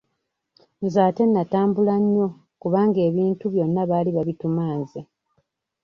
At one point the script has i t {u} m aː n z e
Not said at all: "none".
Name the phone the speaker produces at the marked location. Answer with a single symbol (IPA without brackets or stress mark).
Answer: u